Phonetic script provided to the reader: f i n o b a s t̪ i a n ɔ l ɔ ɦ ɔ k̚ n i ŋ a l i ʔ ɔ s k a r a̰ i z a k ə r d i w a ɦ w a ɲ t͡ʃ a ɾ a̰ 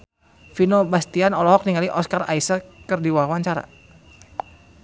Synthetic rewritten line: f i n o b a s t̪ i a n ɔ l ɔ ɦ ɔ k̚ n i ŋ a l i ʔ ɔ s k a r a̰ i s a k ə r d i w a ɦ w a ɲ t͡ʃ a ɾ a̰